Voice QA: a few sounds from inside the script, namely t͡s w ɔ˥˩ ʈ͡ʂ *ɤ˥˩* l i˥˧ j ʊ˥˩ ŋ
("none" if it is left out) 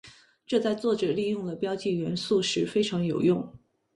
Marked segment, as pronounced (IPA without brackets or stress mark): ɤ˨˩